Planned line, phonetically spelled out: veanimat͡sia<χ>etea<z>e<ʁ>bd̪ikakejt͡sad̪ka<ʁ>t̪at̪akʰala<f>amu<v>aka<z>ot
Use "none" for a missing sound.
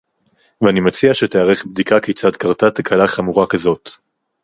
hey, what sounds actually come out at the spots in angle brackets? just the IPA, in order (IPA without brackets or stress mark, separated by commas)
ʃ, ʁ, χ, ʁ, χ, ʁ, z